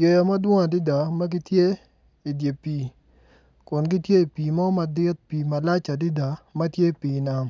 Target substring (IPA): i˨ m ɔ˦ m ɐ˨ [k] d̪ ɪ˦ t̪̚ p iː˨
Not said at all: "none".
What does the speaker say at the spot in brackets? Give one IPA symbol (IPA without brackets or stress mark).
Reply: none